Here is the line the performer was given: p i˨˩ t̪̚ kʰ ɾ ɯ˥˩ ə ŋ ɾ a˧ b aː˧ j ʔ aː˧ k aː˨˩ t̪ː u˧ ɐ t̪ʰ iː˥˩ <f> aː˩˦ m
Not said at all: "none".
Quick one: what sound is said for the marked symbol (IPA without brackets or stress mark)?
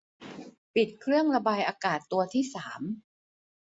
s